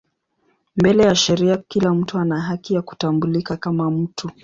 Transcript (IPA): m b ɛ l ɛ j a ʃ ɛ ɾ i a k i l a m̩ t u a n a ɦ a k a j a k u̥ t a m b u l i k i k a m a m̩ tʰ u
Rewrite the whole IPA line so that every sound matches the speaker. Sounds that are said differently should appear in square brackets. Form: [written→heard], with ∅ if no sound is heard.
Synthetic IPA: m b ɛ l ɛ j a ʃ ɛ ɾ i a k i l a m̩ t u a n a ɦ a k [a→i] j a k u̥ t a m b u l i k [i→a] k a m a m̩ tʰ u